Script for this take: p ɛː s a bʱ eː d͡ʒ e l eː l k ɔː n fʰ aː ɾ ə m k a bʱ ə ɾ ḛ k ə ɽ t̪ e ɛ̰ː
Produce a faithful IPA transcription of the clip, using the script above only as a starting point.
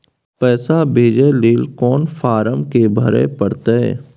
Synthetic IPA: p ɛː s a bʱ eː d͡ʒ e l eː l k ɔː n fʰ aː ɾ ə m k e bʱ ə ɾ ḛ p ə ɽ t̪ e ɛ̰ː